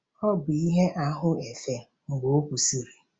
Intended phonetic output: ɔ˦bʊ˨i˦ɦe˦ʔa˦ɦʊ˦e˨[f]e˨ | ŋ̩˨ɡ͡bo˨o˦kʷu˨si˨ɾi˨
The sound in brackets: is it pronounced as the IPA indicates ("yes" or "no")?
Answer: yes